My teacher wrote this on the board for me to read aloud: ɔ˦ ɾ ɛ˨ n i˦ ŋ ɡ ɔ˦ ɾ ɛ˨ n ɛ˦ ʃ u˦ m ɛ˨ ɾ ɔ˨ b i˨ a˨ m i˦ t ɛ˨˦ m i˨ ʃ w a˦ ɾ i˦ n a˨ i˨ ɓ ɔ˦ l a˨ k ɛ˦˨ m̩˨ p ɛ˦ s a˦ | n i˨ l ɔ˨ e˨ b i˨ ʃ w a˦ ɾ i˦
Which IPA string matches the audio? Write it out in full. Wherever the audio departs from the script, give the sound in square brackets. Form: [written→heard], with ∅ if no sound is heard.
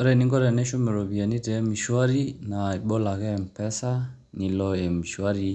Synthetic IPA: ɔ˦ ɾ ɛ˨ n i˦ ŋ ɡ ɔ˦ ɾ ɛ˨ n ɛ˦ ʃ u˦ m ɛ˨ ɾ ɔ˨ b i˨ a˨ [m→n] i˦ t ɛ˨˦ m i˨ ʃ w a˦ ɾ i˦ n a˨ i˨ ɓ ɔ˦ l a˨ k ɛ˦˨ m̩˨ p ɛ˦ s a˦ | n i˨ l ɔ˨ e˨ [b→m] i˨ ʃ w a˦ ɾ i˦